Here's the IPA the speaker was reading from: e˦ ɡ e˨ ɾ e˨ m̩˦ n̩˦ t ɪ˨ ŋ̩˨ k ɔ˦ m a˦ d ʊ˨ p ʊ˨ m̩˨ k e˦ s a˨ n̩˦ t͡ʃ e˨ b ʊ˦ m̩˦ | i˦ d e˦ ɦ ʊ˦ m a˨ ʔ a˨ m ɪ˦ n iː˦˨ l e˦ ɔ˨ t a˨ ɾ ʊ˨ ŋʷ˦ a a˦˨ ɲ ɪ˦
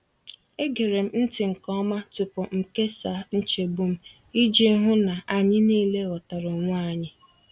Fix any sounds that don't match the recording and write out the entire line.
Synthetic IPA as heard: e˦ ɡ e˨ ɾ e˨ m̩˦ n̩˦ t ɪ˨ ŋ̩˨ k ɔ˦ m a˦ t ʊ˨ p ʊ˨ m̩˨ k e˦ s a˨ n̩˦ t͡ʃ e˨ b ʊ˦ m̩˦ | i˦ d͡ʒ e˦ ɦ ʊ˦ n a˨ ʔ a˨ ɲ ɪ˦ n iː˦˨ l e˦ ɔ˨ t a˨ ɾ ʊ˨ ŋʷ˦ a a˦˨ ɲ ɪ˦

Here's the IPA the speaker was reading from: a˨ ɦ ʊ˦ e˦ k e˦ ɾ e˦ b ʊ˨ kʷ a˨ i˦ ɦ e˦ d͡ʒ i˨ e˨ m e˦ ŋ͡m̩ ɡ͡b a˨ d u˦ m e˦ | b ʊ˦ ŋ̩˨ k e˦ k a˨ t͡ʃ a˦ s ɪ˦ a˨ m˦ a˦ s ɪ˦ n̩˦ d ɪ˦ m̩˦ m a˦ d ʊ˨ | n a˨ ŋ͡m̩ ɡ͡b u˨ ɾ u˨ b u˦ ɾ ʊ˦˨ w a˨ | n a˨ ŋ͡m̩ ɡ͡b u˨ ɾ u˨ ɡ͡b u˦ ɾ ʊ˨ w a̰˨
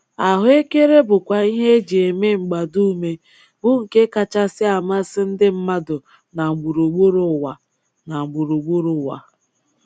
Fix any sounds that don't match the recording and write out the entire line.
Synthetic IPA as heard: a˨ ɦ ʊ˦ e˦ k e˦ ɾ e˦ b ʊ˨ kʷ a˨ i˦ ɦ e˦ d͡ʒ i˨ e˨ m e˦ ŋ͡m̩ ɡ͡b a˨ d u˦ m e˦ | b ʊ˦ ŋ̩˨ k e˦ k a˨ t͡ʃ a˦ s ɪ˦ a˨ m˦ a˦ s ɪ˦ n̩˦ d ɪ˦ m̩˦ m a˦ d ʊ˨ | n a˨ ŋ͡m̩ ɡ͡b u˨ ɾ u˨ ɡ͡b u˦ ɾ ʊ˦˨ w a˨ | n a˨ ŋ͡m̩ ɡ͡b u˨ ɾ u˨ ɡ͡b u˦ ɾ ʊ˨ w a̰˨

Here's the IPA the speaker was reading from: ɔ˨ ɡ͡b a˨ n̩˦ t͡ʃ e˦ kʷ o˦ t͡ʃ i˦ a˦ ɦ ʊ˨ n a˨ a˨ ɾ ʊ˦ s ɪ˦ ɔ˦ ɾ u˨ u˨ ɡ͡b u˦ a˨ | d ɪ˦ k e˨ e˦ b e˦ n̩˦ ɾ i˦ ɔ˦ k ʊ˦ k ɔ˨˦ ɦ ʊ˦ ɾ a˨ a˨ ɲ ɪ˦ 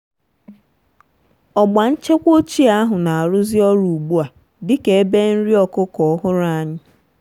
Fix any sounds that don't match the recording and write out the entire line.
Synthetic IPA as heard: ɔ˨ ɡ͡b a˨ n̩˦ t͡ʃ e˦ kʷ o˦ t͡ʃ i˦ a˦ ɦ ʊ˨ n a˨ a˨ ɾ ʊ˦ z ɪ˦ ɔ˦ ɾ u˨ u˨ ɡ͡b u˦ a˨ | d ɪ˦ k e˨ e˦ b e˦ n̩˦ ɾ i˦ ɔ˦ k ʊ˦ k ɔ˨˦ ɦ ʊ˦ ɾ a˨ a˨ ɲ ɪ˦

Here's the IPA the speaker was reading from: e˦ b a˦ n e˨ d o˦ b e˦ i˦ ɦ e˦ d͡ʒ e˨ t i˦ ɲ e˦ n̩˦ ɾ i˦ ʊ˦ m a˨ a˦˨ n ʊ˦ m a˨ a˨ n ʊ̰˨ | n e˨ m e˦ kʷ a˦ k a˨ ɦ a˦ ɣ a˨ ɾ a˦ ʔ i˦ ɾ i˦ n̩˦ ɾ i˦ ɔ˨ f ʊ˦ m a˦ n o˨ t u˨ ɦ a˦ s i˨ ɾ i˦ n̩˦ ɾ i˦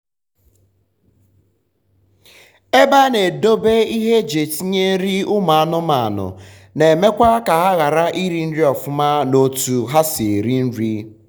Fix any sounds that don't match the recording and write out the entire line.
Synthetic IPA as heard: e˦ b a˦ n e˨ d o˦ b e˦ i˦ ɦ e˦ d͡ʒ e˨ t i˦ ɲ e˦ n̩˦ ɾ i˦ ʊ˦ m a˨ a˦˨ n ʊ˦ m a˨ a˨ n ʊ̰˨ | n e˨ m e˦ kʷ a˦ k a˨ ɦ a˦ ɣ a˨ ɾ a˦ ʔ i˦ ɾ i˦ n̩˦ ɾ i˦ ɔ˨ f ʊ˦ m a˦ n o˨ t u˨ ɦ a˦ s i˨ ɾ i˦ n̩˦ ɾ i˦

